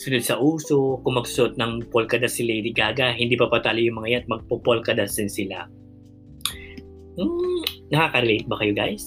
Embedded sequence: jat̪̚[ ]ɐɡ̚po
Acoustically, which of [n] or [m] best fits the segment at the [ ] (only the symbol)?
m